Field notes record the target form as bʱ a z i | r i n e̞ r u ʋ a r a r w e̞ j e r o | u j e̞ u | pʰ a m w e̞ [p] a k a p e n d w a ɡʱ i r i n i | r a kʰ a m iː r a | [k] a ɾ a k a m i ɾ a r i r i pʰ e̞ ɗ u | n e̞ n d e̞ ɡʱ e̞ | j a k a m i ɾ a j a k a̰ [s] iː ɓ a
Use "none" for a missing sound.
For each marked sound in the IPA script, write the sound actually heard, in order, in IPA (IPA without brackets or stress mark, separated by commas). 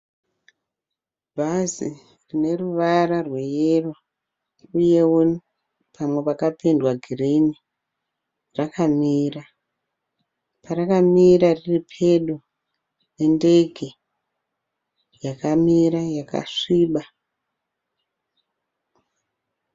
p, p, ʂ